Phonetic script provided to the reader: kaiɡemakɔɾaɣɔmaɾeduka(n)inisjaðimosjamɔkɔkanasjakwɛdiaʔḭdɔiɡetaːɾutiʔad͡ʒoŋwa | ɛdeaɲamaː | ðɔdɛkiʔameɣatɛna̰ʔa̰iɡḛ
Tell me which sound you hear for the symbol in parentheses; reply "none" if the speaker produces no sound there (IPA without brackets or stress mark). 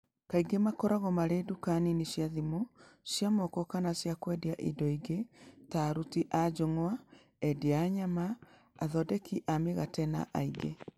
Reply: n